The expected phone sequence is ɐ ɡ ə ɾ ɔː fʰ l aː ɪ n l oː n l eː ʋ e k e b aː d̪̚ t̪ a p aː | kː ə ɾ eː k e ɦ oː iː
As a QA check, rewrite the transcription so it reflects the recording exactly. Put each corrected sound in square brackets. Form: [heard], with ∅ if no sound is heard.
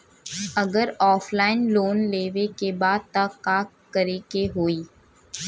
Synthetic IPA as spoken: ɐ ɡ ə ɾ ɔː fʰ l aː ɪ n l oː n l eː ʋ e k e b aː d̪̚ t̪ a [k] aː | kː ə ɾ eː k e ɦ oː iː